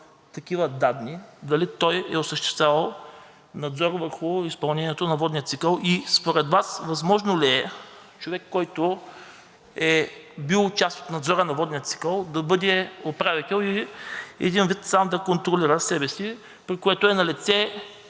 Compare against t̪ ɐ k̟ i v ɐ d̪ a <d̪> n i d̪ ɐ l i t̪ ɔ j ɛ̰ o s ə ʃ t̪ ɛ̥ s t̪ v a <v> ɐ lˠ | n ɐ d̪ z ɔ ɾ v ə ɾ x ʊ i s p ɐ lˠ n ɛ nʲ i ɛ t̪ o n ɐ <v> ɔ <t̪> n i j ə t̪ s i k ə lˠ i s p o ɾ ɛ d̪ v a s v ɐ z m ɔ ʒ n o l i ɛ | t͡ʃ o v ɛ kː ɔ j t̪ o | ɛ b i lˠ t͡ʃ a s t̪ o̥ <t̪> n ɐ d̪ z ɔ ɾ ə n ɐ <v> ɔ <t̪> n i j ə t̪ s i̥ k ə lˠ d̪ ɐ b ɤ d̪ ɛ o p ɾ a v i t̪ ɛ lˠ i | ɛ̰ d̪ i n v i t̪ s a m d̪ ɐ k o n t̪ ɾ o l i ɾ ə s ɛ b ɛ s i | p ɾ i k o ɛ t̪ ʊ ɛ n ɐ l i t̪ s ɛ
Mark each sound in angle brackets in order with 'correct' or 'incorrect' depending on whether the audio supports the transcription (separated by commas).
correct, correct, correct, incorrect, correct, correct, incorrect